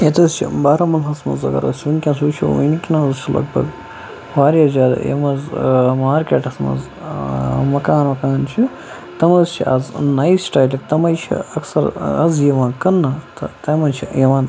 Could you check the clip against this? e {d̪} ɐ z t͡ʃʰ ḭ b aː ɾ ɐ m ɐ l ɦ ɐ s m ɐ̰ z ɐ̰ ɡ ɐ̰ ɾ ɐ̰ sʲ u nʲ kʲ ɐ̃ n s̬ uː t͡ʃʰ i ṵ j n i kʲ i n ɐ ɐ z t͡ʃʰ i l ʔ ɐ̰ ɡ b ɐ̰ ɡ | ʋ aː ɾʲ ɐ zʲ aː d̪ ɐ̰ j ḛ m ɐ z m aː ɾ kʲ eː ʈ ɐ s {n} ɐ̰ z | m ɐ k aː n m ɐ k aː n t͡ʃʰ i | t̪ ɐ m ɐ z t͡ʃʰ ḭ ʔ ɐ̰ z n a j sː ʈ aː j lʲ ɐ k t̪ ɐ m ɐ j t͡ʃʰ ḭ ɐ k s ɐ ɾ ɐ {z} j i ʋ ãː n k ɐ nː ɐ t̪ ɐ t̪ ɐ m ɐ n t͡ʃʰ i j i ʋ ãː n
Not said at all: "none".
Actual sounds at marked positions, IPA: t̪, m, z

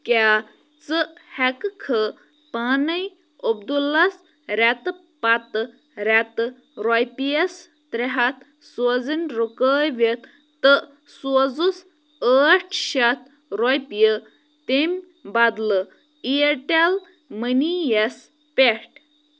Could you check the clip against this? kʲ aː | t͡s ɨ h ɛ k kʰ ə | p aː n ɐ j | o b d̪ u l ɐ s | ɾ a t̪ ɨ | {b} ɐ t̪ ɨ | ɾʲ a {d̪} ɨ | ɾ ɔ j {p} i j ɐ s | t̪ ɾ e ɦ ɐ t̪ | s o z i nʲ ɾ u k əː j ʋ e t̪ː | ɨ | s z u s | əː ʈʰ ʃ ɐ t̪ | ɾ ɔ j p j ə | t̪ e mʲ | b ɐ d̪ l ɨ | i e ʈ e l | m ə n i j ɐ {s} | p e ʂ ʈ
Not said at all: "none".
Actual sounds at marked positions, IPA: p, t̪, p, s

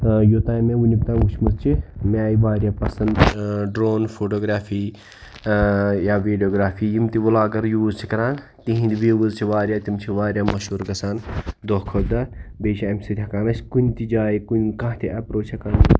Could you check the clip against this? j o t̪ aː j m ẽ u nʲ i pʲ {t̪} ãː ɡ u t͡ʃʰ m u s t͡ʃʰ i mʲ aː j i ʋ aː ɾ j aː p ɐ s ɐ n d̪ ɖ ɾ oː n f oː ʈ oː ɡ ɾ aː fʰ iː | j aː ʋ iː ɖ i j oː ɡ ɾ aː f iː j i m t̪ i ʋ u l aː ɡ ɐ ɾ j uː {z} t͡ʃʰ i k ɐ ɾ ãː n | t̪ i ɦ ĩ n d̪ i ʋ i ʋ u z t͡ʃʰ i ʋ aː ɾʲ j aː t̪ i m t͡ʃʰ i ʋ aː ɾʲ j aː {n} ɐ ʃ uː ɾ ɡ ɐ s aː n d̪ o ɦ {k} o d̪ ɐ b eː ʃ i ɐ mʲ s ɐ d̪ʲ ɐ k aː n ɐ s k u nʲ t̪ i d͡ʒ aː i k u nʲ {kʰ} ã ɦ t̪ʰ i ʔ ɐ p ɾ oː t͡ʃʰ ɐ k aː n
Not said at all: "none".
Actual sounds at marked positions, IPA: t̪, z, m, kʰ, k

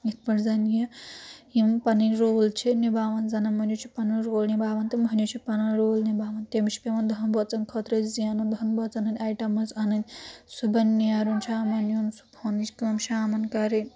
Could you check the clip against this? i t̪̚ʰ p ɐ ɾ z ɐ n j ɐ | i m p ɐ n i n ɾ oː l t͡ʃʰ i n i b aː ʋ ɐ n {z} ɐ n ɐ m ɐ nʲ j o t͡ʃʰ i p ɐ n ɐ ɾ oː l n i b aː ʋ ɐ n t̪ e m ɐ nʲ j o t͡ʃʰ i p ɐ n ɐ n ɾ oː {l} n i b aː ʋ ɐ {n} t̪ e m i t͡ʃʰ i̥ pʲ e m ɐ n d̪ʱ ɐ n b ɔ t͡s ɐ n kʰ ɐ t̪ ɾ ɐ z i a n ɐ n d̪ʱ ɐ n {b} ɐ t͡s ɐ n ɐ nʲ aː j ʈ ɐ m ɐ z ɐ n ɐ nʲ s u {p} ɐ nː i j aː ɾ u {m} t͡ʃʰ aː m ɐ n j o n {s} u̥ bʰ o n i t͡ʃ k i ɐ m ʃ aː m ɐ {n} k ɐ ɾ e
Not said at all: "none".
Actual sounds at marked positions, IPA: z, l, n, b, b, n, s, n

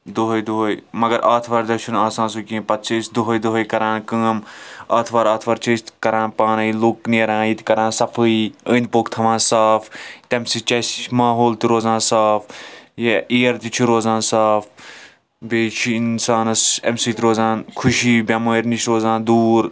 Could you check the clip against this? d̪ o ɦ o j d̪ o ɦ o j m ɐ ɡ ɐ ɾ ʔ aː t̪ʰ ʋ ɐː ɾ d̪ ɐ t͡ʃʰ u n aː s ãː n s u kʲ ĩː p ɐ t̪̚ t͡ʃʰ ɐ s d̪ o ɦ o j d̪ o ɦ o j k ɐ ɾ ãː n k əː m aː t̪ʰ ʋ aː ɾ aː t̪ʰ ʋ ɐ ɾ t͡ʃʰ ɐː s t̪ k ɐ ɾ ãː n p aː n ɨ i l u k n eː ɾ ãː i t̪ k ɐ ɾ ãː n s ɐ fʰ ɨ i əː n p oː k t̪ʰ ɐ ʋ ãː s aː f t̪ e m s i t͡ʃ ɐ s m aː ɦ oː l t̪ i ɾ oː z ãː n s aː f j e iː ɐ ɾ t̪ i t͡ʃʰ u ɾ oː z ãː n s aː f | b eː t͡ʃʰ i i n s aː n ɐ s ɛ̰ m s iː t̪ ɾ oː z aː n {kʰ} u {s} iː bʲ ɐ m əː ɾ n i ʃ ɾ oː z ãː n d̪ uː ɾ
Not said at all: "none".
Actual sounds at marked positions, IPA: kʰ, ʃ

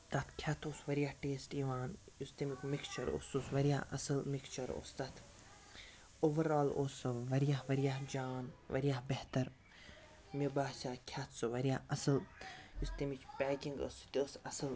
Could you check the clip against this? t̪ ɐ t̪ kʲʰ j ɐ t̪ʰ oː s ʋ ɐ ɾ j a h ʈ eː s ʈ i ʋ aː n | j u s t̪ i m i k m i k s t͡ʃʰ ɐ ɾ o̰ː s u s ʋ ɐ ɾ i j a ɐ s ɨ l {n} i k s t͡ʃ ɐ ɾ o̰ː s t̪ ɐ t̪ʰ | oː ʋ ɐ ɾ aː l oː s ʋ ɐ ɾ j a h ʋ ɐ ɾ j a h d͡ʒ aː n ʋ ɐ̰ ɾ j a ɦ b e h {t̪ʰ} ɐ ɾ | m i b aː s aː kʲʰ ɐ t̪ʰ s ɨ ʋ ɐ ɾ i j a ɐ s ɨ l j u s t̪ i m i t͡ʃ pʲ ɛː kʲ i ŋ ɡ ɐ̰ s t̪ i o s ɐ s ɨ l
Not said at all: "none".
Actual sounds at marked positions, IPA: m, t̪

